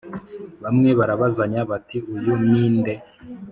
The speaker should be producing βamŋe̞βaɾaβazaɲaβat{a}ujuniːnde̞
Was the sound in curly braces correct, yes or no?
no